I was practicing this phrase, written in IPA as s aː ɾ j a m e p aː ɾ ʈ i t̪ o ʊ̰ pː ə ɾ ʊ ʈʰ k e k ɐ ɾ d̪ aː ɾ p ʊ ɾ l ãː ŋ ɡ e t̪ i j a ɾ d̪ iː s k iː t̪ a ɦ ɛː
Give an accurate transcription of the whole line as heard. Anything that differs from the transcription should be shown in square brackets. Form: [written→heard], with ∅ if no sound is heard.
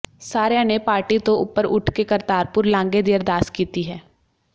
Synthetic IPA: s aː ɾ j a [m→n] e p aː ɾ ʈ i t̪ o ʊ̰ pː ə ɾ ʊ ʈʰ k e k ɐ ɾ [d̪→t̪] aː ɾ p ʊ ɾ l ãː ŋ ɡ e [t̪→d̪] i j [a→ə] ɾ d̪ [iː→aː] s k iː t̪ [a→i] ɦ ɛː